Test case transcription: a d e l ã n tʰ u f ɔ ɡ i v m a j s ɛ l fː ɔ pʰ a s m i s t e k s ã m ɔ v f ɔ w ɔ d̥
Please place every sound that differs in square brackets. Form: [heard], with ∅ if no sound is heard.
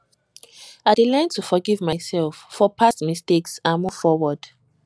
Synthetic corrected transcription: a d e l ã n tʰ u f ɔ ɡ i v m a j s ɛ l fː ɔ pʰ a s m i s t e k s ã m [u] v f ɔ w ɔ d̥